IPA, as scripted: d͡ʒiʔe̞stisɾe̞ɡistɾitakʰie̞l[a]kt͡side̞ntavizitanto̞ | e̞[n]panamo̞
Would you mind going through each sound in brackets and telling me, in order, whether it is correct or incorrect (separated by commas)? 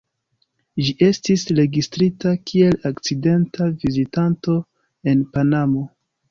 correct, correct